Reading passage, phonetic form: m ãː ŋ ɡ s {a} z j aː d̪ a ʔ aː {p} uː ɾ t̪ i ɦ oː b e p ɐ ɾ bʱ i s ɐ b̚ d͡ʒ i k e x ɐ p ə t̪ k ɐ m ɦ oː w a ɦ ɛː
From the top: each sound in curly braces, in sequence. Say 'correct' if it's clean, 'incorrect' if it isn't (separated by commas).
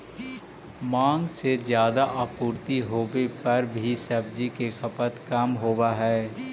incorrect, correct